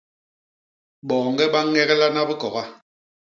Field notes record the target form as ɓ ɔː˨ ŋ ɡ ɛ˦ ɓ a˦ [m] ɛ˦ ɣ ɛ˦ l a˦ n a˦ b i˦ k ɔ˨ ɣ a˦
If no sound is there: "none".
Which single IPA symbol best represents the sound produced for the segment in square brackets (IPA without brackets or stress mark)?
ŋ